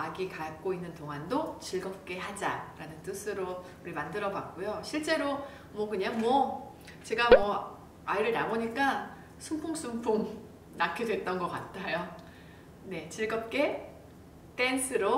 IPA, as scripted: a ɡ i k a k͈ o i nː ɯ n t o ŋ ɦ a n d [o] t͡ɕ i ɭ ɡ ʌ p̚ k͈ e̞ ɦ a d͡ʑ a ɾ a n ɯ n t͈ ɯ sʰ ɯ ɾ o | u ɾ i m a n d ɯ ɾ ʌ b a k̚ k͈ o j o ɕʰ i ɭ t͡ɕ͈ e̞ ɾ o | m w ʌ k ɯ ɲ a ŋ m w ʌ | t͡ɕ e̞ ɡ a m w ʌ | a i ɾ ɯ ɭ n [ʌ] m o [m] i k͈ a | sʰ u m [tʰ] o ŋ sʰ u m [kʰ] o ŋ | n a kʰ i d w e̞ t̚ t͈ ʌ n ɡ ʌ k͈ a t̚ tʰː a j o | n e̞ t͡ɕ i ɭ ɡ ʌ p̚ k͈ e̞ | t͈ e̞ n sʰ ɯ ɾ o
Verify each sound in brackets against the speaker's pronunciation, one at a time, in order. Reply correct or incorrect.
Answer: correct, incorrect: a, incorrect: ɲ, incorrect: pʰ, incorrect: pʰ

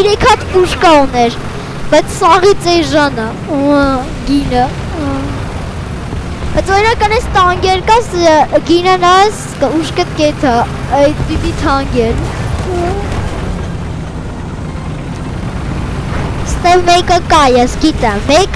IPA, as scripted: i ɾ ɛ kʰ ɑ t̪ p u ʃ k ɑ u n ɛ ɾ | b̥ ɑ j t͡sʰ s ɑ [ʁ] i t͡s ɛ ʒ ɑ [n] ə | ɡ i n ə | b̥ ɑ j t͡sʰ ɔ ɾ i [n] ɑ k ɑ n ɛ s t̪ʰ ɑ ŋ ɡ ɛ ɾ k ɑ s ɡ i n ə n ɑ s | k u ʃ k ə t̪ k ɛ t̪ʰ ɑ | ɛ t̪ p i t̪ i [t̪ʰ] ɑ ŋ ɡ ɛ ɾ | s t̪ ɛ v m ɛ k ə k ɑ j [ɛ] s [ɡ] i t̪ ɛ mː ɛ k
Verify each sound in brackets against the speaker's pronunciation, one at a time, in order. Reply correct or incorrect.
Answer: correct, correct, correct, correct, correct, correct

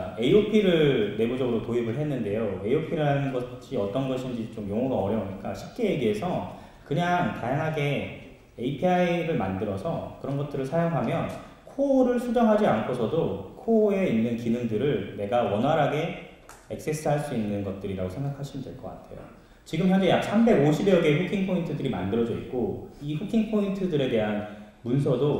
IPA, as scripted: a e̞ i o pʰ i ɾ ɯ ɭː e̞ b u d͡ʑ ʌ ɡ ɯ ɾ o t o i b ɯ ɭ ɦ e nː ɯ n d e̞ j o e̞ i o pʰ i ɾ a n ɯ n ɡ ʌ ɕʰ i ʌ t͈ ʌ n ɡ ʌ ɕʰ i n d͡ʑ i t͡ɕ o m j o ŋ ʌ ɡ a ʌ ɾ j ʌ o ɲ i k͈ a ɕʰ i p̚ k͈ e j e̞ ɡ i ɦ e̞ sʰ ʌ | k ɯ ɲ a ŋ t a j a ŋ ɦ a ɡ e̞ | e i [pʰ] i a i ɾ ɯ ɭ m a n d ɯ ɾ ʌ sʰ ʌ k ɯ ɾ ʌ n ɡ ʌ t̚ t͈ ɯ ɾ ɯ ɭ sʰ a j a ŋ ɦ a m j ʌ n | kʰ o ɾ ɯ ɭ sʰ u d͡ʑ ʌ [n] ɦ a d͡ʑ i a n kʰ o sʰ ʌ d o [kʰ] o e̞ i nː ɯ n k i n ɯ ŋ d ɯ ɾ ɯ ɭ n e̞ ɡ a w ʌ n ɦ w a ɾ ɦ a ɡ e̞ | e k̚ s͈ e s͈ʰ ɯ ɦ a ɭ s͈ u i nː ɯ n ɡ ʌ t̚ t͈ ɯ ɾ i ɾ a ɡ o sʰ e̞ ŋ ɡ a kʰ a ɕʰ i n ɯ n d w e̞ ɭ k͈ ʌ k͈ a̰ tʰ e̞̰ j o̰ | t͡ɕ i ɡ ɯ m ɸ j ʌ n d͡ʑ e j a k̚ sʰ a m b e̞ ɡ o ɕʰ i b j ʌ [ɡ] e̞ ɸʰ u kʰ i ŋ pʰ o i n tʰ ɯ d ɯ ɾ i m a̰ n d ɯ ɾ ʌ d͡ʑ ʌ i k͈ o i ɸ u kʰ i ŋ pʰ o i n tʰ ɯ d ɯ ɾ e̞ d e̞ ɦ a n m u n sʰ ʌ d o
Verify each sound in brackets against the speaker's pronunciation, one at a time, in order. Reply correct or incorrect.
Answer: correct, incorrect: ŋ, correct, correct

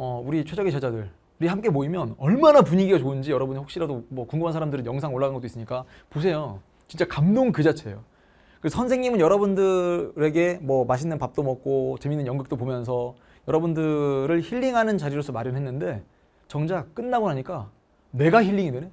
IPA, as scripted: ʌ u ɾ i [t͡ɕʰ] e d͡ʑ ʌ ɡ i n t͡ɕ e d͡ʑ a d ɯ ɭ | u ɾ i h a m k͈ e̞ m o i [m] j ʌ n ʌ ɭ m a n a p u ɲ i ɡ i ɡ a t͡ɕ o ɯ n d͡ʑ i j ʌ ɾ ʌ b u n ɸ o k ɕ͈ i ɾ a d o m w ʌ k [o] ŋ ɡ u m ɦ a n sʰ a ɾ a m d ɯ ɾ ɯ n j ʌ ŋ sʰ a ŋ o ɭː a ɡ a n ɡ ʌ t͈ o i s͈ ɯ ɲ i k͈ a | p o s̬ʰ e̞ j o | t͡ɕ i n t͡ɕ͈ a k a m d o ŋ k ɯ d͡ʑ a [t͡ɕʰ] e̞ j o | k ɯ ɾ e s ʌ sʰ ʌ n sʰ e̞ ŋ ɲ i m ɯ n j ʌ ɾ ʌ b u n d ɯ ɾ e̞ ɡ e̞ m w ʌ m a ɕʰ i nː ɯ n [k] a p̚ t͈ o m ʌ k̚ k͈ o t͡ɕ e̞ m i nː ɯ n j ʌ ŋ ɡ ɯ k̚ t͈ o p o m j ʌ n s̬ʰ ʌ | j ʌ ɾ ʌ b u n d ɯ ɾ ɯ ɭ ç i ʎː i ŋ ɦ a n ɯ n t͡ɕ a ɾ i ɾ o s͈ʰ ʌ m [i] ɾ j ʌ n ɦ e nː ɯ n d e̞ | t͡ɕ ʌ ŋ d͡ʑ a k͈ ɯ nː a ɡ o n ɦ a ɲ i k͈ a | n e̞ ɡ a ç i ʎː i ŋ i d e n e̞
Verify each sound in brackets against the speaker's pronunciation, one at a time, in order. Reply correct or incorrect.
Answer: correct, correct, incorrect: u, correct, incorrect: p, incorrect: a

